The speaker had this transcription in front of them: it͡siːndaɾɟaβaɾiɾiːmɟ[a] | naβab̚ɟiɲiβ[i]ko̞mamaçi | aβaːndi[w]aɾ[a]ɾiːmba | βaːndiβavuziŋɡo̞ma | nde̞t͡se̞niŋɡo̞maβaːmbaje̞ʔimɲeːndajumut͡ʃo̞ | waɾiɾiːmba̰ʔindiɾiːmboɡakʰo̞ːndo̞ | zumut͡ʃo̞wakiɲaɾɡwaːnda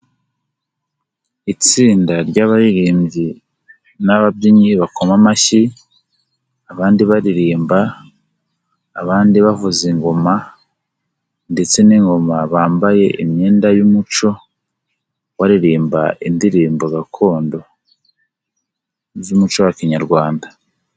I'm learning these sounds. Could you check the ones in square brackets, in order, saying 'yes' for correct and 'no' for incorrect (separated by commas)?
no, no, no, no